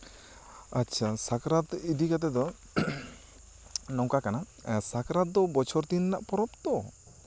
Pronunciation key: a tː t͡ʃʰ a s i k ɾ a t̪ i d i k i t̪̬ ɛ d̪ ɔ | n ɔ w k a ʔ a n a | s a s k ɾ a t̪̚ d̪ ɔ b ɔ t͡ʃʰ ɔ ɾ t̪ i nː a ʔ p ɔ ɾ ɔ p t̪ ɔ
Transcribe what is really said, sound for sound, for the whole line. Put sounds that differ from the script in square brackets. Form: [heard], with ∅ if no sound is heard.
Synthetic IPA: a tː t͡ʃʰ a s [a] k ɾ a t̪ i d i k [a] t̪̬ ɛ d̪ ɔ | n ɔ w k a [k] a n a | s a [∅] k ɾ a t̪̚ d̪ ɔ b ɔ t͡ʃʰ ɔ ɾ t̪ i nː a ʔ p ɔ ɾ ɔ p t̪ ɔ